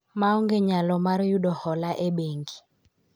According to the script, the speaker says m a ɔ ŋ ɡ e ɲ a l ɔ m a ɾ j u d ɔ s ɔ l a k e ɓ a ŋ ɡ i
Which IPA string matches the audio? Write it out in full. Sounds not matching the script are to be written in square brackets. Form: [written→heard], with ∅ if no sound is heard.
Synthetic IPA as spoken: m a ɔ ŋ ɡ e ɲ a l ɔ m a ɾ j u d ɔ [s→h] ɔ l a [k→ʔ] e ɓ [a→e] ŋ ɡ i